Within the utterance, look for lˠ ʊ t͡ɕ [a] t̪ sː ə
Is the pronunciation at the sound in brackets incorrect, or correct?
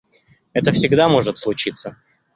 incorrect